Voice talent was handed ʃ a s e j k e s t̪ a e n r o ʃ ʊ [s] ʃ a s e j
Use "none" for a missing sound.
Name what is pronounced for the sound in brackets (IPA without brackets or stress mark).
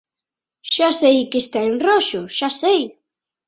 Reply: none